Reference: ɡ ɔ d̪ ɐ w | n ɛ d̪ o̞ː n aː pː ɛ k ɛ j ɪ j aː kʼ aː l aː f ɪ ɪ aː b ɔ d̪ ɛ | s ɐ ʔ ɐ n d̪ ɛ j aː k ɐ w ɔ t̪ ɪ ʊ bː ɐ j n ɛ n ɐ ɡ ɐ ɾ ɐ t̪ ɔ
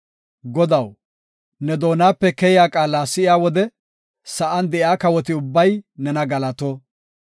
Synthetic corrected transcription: ɡ ɔ d̪ ɐ w | n ɛ d̪ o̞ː n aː pː ɛ k ɛ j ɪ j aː kʼ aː l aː s ɪ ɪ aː w ɔ d̪ ɛ | s ɐ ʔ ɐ n d̪ ɛ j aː k ɐ w ɔ t̪ ɪ ʊ bː ɐ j n ɛ n ɐ ɡ ɐ l ɐ t̪ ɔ